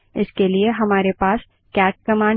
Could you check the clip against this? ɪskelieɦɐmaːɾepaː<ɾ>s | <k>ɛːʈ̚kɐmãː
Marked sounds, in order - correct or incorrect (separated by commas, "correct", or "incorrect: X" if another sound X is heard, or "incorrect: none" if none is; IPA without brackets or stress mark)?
incorrect: none, correct